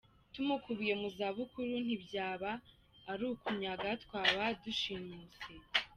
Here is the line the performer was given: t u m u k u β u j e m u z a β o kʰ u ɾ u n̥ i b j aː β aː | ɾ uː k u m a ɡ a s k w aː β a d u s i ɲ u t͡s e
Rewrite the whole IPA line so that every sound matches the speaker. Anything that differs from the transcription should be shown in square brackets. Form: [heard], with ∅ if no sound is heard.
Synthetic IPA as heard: t u m u k u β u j e m u z a β [u] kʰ u ɾ u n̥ i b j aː β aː | ɾ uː k u [ɲ] a ɡ a [t] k w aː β a d u [ʃ] i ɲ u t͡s e